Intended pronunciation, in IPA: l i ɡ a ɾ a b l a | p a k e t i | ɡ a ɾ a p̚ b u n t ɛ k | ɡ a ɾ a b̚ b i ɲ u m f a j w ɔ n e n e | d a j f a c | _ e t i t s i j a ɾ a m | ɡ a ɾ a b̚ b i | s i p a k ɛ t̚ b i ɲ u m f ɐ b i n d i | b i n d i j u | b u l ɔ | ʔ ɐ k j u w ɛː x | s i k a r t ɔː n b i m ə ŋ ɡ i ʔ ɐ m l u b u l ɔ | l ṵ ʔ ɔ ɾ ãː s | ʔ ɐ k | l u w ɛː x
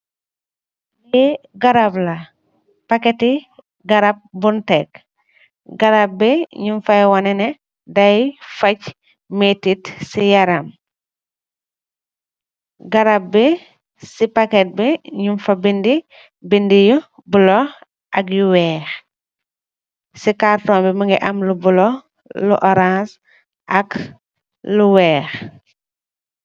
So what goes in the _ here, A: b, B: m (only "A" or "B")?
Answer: B